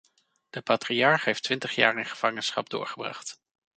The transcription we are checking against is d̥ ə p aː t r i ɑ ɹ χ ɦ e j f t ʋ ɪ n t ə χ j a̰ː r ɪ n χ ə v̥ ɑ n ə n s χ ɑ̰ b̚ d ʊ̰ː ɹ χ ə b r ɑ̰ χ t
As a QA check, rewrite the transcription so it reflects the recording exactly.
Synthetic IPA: d̥ ə p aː t r i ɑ ɹ χ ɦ e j f t ʋ ɪ n t ə χ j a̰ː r ɪ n χ ə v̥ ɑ ŋ ə n s χ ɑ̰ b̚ d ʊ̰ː ɹ χ ə b r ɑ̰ χ t